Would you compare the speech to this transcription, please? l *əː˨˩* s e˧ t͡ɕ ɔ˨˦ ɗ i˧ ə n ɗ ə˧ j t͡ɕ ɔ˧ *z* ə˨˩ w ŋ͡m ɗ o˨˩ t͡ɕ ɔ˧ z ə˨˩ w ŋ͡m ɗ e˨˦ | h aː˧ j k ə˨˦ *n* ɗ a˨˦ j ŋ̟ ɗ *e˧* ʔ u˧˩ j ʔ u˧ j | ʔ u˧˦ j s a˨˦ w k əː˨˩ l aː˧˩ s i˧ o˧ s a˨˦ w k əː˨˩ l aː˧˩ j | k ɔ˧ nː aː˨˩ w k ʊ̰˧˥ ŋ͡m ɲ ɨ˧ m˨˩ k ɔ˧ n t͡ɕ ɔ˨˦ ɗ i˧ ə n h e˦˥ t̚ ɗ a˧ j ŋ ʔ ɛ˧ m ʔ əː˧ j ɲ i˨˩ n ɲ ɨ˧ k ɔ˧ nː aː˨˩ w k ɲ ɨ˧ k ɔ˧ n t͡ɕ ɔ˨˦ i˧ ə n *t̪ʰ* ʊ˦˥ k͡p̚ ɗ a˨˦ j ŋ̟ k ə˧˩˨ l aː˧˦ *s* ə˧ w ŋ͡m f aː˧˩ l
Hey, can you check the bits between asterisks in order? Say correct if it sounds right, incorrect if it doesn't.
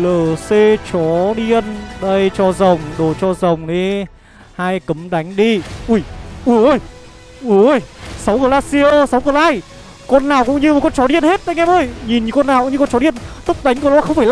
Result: correct, correct, incorrect: m, incorrect: i˧, incorrect: t̪, incorrect: x

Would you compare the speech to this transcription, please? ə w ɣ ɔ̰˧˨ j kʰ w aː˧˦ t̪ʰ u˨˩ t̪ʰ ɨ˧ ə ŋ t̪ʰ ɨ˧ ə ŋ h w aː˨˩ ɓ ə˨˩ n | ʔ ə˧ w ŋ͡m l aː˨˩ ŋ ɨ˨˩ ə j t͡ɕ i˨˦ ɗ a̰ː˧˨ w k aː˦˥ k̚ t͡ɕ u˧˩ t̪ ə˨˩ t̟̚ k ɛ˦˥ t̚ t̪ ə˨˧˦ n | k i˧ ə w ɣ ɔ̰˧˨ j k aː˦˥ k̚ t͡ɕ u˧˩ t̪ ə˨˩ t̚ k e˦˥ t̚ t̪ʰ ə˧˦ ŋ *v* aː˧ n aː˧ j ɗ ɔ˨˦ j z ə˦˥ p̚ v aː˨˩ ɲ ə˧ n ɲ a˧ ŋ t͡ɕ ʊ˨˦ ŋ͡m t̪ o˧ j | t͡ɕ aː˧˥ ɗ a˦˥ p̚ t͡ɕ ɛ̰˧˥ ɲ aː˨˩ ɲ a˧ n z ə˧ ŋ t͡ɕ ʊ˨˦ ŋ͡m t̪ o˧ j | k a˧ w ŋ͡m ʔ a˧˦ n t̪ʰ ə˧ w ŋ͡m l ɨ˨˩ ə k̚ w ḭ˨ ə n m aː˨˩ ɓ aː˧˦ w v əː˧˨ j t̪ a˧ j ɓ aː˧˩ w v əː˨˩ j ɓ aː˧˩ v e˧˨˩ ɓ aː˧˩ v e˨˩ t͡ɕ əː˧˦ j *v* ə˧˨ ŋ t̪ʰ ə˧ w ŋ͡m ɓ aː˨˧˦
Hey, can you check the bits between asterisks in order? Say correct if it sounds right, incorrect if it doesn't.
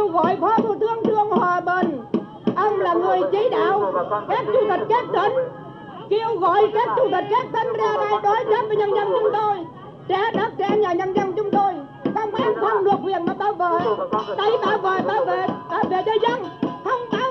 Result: incorrect: z, incorrect: z

